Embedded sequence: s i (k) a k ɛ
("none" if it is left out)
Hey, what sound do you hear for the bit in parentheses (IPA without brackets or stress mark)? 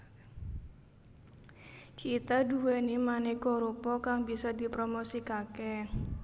k